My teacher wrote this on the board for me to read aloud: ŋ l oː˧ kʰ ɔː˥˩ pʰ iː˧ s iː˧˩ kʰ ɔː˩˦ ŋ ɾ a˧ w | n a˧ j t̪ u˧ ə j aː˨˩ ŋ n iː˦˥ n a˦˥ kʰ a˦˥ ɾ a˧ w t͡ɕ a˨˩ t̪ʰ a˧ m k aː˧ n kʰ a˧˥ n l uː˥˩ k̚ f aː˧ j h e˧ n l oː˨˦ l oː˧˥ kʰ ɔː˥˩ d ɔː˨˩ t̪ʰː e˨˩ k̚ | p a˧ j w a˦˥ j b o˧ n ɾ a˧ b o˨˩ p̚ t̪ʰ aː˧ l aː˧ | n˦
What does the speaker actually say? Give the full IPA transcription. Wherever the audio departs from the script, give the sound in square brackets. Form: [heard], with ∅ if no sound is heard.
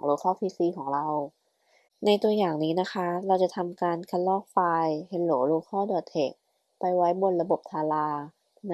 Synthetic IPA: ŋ l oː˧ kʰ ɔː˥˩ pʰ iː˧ s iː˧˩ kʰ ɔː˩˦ ŋ ɾ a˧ w | n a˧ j t̪ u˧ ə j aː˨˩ ŋ n iː˦˥ n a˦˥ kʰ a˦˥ ɾ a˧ w t͡ɕ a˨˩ t̪ʰ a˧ m k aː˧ n kʰ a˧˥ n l [ɔː˥˩] k̚ f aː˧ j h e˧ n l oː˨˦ l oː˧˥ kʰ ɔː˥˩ d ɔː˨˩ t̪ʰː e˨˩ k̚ | p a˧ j w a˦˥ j b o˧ n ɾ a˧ b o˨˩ p̚ t̪ʰ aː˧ l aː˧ | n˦

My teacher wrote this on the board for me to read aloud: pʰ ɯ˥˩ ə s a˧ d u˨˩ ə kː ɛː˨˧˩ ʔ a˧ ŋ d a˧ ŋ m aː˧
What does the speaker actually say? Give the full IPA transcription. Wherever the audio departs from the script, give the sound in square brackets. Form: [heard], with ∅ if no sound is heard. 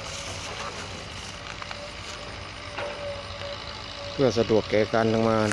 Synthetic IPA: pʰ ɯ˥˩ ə s a˧ d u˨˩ ə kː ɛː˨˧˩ [k] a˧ [n] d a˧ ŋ m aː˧

